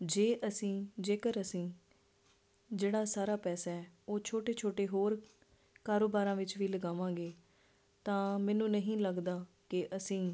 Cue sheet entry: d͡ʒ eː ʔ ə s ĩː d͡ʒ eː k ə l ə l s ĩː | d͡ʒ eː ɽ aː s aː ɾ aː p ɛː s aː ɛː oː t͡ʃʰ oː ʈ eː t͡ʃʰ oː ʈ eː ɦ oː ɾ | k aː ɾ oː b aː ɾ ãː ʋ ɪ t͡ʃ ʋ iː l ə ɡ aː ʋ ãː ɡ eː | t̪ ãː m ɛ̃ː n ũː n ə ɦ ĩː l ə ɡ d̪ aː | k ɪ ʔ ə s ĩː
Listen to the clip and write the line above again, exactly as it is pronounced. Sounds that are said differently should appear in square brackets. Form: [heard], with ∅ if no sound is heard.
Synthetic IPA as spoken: d͡ʒ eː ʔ ə s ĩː d͡ʒ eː k ə [ɾ] ə [∅] s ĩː | d͡ʒ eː ɽ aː s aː ɾ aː p ɛː s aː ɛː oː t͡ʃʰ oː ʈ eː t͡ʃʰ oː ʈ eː ɦ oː ɾ | k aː ɾ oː b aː ɾ ãː ʋ ɪ t͡ʃ ʋ iː l ə ɡ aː ʋ ãː ɡ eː | t̪ ãː m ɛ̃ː n ũː n ə ɦ ĩː l ə ɡ d̪ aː | k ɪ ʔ ə s ĩː